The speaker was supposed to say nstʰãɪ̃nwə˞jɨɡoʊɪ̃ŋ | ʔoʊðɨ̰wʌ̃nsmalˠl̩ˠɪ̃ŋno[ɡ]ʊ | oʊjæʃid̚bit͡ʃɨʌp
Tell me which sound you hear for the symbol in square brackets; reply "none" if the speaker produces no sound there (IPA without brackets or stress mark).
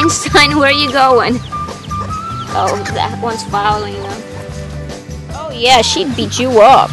none